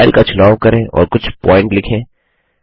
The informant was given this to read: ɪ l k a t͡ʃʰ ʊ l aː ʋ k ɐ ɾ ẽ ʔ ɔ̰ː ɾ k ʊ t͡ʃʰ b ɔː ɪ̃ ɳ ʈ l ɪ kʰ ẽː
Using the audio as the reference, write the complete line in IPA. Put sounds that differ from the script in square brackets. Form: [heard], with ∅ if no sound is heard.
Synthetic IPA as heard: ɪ l k a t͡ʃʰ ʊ l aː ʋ k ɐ ɾ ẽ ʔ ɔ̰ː ɾ k ʊ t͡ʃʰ [p] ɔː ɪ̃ ɳ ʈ l ɪ kʰ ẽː